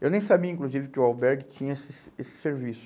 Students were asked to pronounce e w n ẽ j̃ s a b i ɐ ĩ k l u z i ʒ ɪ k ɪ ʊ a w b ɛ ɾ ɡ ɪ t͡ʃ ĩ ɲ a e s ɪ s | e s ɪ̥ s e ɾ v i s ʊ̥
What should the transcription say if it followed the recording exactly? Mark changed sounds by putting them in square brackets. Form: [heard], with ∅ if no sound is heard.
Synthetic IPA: e w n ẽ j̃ s a b i ɐ ĩ k l u z i [v] ɪ k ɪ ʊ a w b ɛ ɾ ɡ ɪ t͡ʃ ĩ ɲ [ɐ] e s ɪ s | e s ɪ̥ s e ɾ v i s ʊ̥